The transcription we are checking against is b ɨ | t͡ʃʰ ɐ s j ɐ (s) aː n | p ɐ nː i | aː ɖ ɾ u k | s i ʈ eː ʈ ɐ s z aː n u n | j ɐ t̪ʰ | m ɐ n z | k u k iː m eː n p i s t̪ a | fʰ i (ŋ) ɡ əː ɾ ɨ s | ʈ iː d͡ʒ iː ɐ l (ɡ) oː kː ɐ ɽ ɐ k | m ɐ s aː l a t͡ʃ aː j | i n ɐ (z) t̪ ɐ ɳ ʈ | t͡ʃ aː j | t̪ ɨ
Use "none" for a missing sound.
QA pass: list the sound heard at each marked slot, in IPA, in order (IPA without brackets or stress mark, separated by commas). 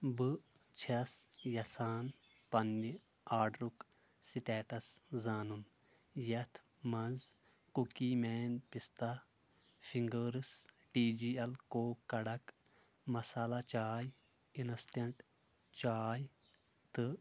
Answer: s, ŋ, k, s